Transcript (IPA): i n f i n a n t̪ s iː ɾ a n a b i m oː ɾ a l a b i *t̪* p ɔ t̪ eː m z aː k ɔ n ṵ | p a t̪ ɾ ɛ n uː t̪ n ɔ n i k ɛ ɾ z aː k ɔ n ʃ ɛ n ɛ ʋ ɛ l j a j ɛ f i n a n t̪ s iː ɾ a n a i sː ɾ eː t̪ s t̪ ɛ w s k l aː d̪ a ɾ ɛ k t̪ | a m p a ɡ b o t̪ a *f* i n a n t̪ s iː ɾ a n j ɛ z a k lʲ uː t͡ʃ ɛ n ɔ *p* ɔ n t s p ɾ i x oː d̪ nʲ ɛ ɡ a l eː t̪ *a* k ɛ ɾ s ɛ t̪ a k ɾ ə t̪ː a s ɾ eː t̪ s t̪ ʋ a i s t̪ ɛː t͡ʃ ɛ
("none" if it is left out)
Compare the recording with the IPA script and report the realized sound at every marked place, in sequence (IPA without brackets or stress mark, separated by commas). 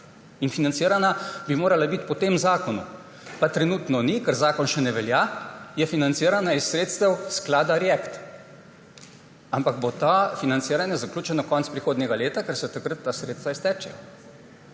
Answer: t̪, f, k, a